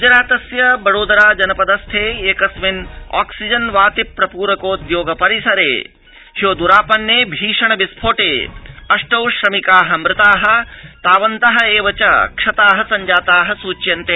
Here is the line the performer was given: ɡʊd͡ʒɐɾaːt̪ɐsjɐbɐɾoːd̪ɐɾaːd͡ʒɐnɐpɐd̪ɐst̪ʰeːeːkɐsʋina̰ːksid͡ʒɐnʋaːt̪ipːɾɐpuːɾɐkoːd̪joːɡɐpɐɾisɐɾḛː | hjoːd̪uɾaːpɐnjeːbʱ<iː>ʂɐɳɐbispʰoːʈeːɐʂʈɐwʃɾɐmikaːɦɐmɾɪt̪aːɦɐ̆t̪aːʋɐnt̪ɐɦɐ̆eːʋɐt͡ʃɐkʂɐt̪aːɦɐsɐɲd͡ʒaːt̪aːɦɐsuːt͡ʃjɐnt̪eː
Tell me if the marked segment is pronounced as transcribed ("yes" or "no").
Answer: yes